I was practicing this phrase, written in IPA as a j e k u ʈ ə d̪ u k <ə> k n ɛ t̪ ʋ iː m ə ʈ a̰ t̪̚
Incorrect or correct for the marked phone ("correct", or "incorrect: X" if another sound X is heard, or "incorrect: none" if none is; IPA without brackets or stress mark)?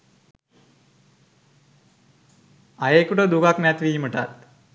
incorrect: a